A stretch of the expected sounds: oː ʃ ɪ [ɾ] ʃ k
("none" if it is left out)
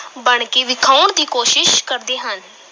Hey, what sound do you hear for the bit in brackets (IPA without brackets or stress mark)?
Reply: none